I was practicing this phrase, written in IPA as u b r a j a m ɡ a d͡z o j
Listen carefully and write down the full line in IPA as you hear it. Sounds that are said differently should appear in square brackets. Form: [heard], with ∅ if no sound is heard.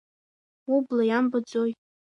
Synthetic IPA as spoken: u b [l] a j a m [b] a d͡z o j